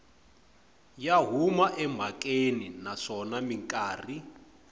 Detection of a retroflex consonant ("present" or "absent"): present